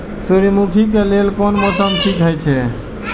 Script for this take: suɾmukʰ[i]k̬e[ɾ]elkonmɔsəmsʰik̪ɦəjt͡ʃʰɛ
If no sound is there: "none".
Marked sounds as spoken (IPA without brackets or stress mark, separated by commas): i, l